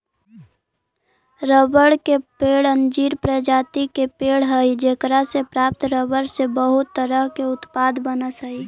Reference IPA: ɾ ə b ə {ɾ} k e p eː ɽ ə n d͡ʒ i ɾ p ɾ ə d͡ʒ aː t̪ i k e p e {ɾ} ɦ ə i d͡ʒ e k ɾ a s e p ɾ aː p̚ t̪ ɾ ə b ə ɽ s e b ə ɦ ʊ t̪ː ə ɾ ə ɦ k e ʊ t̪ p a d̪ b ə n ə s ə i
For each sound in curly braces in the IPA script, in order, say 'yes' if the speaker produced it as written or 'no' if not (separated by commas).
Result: no, no